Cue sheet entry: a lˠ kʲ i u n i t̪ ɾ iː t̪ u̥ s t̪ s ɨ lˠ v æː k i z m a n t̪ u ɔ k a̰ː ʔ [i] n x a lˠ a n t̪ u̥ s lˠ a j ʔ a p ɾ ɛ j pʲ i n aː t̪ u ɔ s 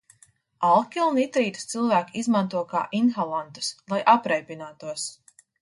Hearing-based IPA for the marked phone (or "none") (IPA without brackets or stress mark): i